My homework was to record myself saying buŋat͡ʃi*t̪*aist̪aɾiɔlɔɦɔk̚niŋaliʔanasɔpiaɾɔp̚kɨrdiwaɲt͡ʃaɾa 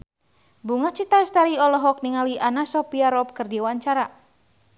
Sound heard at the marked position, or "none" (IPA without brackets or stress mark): t̪